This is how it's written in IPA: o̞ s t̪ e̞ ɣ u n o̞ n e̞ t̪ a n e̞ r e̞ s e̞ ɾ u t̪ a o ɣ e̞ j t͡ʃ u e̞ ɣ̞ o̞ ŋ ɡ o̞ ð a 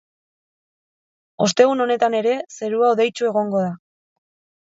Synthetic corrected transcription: o̞ s t̪ e̞ ɣ u n o̞ n e̞ t̪ a n e̞ ɾ e̞ s e̞ ɾ u a o ð e̞ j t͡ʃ u e̞ ɣ̞ o̞ ŋ ɡ o̞ ð a